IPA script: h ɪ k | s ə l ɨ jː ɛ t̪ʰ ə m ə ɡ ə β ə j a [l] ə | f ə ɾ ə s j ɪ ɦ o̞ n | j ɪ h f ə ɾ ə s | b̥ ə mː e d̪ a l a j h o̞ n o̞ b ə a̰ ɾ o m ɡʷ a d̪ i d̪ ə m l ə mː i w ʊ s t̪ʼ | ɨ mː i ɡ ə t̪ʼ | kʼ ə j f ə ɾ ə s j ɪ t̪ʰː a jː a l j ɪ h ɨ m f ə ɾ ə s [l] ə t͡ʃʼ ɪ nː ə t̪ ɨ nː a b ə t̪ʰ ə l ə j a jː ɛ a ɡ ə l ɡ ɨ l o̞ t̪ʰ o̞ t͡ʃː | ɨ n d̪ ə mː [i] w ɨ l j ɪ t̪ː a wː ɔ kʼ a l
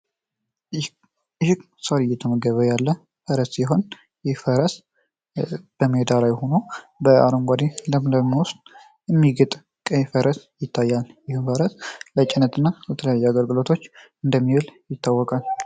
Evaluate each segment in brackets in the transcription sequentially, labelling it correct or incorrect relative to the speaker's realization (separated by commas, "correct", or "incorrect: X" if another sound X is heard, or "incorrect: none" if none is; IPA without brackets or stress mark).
incorrect: lː, correct, correct